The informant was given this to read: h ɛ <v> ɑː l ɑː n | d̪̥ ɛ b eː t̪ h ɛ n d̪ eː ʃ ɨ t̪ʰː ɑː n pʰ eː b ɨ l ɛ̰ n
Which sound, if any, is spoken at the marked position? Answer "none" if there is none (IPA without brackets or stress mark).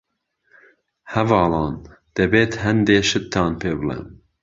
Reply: v